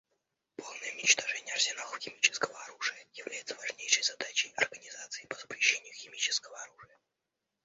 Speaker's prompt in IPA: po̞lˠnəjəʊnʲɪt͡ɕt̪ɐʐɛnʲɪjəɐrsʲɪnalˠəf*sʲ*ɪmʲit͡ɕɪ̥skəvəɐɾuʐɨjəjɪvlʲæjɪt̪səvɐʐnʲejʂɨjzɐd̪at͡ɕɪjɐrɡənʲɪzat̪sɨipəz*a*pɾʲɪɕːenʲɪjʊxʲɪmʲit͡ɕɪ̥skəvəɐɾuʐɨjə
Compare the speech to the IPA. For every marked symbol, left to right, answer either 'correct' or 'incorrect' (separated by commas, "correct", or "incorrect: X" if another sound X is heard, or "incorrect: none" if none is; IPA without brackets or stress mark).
incorrect: xʲ, incorrect: ə